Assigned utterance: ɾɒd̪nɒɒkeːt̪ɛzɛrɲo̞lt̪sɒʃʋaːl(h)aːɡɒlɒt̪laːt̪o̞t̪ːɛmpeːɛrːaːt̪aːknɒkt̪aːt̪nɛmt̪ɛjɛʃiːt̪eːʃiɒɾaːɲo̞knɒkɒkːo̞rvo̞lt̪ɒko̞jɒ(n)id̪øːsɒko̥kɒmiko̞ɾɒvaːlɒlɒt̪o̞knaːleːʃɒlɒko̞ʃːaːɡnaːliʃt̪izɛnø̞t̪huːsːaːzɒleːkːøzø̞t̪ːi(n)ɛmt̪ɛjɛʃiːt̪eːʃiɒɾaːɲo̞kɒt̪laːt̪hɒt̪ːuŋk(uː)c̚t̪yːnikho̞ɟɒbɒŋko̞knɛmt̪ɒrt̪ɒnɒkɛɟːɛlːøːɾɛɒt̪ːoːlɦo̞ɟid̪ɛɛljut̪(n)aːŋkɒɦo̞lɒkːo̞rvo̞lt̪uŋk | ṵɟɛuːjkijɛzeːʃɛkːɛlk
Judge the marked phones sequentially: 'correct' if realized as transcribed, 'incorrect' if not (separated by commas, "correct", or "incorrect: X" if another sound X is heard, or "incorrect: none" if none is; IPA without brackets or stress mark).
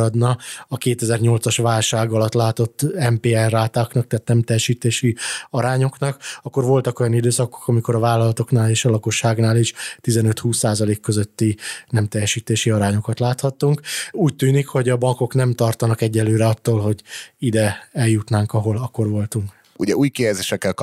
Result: incorrect: ʃ, correct, correct, correct, correct